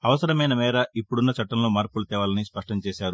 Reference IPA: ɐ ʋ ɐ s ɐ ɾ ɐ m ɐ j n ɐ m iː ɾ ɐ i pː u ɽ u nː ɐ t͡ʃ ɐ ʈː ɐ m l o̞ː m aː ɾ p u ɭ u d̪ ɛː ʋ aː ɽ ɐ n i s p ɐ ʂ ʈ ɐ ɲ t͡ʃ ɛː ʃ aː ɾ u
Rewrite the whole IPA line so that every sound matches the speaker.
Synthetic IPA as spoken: ɐ ʋ ɐ s ɐ ɾ ɐ m ɐ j n ɐ m ɛː ɾ ɐ i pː u ɽ u nː ɐ t͡ʃ ɐ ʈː ɐ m l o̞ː m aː ɾ p u l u t̪ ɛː ʋ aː l ɐ n i s p ɐ ʂ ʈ ɐ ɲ t͡ʃ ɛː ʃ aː ɾ u